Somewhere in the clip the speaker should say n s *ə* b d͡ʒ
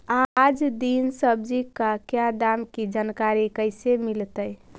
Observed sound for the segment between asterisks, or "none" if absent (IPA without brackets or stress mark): ə